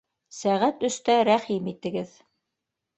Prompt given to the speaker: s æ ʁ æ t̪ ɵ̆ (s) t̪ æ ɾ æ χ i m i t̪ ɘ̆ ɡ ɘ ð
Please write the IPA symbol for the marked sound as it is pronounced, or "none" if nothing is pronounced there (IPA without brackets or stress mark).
s